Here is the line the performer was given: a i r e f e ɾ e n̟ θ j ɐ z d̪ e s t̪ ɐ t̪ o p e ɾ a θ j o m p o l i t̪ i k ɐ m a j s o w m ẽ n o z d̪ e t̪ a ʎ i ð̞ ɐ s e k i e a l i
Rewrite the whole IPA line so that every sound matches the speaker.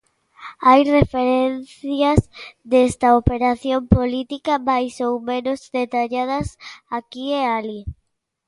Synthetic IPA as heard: a j r e f e ɾ e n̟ θ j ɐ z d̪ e s t̪ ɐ o p e ɾ a θ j o m p o l i t̪ i k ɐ m a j s o w m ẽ n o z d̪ e t̪ a ʎ a ð̞ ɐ s a k i e a l i